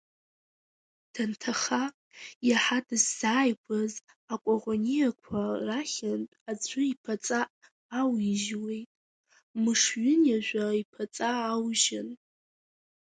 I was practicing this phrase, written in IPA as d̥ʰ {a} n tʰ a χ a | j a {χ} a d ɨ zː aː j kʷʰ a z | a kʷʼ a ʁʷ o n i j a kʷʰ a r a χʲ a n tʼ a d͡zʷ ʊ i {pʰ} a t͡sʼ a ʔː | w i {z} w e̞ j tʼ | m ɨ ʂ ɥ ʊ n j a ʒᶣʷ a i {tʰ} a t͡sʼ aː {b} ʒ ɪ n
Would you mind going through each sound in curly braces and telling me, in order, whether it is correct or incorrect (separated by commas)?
correct, incorrect, correct, incorrect, incorrect, incorrect